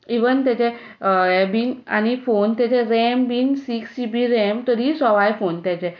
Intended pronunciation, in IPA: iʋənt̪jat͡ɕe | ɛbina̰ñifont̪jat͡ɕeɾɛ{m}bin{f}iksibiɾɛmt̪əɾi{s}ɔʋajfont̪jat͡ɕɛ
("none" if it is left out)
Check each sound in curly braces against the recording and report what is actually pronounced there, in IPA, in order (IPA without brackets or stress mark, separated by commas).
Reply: m, s, s